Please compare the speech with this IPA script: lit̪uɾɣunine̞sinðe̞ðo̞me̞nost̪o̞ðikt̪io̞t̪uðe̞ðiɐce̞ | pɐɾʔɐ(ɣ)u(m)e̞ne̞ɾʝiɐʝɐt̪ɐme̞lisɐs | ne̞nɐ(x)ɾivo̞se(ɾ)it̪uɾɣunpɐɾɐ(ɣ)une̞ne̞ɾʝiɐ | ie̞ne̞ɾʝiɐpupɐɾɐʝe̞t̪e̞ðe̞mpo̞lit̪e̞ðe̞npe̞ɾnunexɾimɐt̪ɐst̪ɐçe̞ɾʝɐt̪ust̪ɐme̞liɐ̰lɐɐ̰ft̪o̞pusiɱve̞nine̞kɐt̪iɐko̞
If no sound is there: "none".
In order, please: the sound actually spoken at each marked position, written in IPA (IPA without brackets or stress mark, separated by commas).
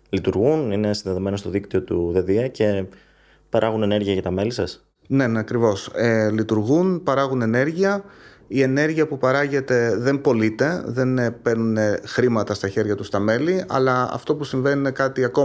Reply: ɣ, n, k, l, ɣ